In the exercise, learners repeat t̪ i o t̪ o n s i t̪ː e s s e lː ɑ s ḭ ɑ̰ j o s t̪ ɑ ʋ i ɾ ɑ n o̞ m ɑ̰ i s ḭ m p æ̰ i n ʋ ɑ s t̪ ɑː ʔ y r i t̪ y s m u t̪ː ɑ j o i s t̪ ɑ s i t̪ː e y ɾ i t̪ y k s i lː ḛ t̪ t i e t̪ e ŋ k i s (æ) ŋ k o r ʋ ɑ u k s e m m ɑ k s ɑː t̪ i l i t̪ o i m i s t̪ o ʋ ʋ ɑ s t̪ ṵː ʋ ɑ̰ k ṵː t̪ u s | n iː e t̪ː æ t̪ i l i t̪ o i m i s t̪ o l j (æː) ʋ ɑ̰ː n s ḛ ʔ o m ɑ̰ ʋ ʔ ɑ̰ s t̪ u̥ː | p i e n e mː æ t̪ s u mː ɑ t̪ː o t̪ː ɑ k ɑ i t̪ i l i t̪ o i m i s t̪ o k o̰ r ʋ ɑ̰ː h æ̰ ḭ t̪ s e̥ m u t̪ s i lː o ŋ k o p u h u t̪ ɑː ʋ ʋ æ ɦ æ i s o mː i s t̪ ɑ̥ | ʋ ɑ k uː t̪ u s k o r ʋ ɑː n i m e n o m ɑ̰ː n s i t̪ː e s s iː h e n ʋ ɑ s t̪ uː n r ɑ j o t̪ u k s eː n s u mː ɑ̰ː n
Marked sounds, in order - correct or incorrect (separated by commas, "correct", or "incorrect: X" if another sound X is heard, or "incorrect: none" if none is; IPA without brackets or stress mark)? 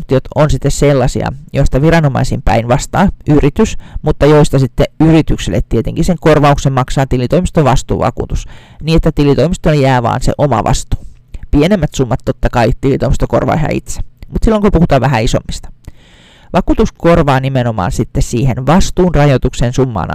incorrect: e, correct